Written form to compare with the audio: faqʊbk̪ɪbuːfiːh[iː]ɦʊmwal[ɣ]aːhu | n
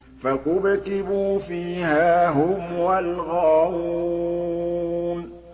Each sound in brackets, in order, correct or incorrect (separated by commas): incorrect, correct